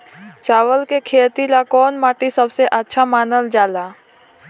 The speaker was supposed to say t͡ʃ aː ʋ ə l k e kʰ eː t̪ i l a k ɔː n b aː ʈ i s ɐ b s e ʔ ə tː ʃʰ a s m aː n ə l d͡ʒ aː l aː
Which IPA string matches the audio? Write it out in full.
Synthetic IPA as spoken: t͡ʃ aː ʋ ə l k e kʰ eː t̪ i l a k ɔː n m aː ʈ i s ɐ b s e ʔ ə tː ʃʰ a m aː n ə l d͡ʒ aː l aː